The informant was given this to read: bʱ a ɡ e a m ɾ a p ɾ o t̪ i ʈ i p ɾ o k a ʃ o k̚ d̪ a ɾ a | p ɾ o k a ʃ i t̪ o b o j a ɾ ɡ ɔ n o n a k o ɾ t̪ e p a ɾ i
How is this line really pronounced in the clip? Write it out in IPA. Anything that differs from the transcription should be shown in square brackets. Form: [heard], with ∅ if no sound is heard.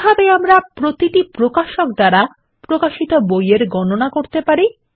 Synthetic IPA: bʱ a [b] e a m ɾ a p ɾ o t̪ i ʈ i p ɾ o k a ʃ o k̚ d̪ a ɾ a | p ɾ o k a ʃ i t̪ o b o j [e] ɾ ɡ ɔ n o n a k o ɾ t̪ e p a ɾ i